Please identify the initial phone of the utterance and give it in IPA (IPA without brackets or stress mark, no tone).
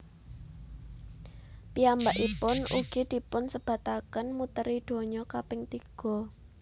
p